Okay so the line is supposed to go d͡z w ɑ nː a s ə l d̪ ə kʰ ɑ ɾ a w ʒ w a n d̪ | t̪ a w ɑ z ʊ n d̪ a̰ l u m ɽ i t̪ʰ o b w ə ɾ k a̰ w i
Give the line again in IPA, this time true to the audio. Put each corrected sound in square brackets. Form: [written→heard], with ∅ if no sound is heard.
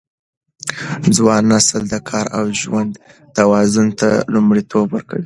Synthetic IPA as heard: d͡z w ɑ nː a s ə l d̪ ə kʰ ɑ ɾ a w ʒ w a n d̪ | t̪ a w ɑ z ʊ n [d̪→t̪] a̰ l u m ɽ i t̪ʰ o b w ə ɾ k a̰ w i